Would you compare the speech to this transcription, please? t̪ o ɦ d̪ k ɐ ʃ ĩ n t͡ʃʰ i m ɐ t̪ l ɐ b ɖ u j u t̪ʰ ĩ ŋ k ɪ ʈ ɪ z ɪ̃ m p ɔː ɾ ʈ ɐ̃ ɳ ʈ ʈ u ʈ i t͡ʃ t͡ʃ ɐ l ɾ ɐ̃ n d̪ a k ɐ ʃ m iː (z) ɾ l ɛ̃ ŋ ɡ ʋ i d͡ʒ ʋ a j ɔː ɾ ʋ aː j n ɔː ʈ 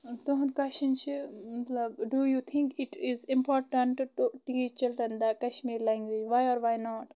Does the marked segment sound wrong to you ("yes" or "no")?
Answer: yes